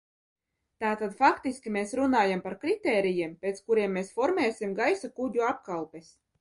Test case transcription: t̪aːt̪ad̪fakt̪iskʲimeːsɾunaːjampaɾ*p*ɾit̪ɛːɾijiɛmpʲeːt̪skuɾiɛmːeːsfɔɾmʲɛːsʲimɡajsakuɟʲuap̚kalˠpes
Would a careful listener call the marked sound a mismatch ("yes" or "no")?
yes